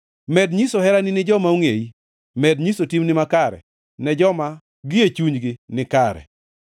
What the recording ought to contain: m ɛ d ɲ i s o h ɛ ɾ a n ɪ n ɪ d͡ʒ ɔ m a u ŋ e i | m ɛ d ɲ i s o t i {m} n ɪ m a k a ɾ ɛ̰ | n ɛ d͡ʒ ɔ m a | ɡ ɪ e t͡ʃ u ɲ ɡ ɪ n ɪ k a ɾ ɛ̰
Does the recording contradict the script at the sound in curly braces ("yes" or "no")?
no